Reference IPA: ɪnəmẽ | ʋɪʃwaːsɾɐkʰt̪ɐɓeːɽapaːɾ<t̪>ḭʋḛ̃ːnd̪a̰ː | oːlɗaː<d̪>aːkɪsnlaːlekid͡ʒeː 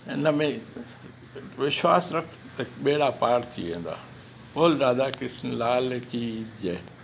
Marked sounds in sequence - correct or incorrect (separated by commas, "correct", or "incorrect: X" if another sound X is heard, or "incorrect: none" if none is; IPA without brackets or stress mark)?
incorrect: t̪ʰ, correct